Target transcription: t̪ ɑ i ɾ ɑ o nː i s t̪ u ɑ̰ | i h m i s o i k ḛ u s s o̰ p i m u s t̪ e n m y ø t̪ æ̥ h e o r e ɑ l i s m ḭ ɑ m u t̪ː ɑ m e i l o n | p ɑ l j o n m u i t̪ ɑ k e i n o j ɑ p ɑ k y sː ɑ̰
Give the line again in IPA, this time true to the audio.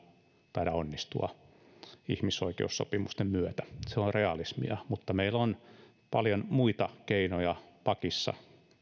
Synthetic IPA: t̪ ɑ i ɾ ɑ o nː i s t̪ u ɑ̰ | i h m i s o i k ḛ u s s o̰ p i m u s t̪ e m m y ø t̪ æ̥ s e o r e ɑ l i s m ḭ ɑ m u t̪ː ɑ m e i l o n | p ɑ l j o n m u i t̪ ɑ k e i n o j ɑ p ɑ k i sː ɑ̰